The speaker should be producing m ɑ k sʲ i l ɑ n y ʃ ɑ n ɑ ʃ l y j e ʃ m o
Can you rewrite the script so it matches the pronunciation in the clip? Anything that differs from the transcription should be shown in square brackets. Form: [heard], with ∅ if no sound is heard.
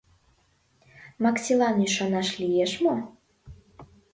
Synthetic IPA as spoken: m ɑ k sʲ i l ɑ n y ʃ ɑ n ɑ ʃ l [i] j e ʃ m o

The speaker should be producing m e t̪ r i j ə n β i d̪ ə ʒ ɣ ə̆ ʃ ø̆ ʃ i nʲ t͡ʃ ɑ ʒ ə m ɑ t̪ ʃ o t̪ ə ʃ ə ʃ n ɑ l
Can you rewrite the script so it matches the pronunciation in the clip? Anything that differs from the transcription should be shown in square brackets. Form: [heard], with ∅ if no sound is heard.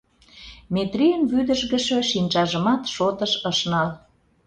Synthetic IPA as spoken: m e t̪ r i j ə n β [y] d̪ ə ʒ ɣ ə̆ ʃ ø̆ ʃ i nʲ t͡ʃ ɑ ʒ ə m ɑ t̪ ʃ o t̪ ə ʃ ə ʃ n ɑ l

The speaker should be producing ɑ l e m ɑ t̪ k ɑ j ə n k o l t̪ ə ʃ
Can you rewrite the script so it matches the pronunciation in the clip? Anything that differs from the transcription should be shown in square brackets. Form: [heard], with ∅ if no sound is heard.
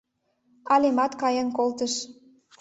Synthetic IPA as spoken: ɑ l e m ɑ t̪ k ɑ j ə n k o l t̪ ə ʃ

